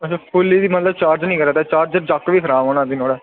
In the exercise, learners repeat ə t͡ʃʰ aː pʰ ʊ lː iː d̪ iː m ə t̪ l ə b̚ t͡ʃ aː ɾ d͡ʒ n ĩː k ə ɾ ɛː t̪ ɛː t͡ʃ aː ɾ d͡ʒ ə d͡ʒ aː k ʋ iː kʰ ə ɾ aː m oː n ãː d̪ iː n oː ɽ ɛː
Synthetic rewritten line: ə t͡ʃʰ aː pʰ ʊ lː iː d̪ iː m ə t̪ l ə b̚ t͡ʃ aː ɾ d͡ʒ n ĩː k ə ɾ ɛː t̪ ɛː t͡ʃ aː ɾ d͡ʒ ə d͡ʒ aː k ʋ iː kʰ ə ɾ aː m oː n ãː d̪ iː n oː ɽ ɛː